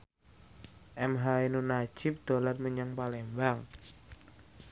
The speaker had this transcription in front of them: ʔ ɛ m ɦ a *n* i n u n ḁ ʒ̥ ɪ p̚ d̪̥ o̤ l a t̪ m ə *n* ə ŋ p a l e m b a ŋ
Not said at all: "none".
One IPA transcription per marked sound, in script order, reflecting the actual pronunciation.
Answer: none, ɲ

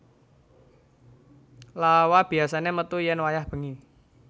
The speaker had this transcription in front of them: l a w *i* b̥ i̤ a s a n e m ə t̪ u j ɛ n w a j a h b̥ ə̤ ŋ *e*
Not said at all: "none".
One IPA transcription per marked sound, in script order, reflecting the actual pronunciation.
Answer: a, i

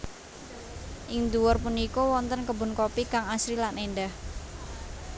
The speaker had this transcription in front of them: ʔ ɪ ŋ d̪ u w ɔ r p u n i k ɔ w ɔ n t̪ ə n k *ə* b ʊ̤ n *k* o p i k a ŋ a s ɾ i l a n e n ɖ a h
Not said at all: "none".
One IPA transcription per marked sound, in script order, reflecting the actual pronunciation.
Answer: ə, k

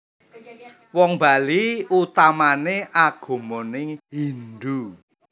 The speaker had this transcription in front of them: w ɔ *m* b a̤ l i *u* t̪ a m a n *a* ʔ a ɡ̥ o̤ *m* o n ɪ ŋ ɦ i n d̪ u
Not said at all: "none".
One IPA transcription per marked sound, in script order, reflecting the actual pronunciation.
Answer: ŋ, u, e, m

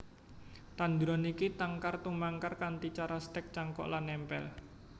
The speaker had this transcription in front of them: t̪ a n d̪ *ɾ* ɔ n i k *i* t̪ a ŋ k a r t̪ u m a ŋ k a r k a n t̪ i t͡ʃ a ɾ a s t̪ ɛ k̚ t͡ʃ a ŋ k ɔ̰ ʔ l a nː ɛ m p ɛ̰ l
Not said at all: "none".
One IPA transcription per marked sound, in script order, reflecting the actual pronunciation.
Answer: ɾ, i

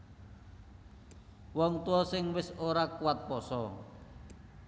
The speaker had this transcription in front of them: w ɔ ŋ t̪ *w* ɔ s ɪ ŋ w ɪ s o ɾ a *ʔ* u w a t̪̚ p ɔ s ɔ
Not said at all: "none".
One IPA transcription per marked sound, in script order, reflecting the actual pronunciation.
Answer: u, k

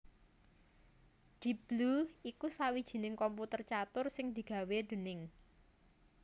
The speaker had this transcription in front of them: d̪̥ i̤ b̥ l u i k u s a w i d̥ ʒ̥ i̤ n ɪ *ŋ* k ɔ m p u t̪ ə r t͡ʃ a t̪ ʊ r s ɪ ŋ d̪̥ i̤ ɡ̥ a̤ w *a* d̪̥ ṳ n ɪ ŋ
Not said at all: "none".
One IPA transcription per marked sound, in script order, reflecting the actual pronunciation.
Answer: ŋ, e

